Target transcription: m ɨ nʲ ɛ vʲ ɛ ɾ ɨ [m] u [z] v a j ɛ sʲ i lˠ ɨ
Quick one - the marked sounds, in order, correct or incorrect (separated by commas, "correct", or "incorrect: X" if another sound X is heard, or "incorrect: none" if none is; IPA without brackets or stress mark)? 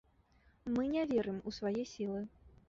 correct, incorrect: s